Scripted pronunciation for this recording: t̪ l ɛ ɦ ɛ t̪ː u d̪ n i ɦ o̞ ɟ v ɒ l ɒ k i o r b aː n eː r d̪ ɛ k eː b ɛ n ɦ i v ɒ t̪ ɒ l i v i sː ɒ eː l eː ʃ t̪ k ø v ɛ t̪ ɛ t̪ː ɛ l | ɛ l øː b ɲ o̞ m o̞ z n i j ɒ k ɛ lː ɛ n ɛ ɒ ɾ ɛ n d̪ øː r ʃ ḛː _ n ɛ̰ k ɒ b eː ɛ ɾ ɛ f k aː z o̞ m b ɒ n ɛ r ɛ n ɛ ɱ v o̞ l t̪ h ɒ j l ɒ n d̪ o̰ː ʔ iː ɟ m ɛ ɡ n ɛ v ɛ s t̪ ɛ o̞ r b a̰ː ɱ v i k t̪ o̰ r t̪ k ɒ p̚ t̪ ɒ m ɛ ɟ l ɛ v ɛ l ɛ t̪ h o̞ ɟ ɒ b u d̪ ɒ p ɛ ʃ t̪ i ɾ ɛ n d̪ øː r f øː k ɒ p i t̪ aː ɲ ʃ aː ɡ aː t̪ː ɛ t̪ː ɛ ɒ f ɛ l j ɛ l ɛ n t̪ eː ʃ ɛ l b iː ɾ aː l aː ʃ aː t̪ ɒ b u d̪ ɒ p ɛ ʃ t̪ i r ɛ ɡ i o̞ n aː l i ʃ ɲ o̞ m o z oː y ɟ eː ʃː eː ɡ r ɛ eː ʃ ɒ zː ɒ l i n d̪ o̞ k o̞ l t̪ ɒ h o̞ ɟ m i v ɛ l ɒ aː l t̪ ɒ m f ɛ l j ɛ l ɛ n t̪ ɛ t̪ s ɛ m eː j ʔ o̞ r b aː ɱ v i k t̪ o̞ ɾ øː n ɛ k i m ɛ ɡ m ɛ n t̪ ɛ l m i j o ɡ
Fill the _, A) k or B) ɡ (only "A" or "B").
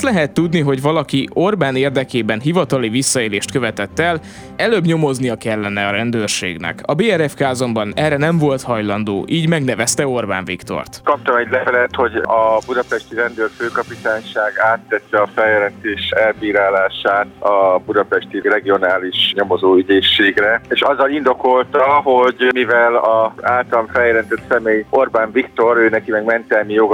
B